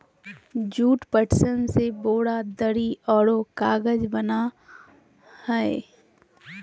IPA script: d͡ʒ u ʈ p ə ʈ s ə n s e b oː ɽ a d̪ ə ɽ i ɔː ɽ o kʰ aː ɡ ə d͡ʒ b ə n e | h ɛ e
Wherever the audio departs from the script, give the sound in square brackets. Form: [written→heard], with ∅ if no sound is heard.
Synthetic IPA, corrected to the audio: d͡ʒ [u→uː] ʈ p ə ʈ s ə n s e b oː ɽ a d̪ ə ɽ i ɔː ɽ o [kʰ→k] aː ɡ ə d͡ʒ b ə n [e→a] | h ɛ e